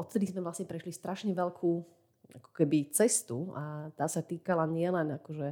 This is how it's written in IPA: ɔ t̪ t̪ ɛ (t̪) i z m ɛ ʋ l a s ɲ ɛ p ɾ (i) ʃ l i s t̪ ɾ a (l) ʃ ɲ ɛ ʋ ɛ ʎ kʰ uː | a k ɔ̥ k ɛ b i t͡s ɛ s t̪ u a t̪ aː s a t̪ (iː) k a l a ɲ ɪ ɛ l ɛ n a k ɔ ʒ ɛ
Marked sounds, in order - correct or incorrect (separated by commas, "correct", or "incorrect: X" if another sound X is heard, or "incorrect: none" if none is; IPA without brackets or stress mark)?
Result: incorrect: d̪, incorrect: ɛ, incorrect: none, correct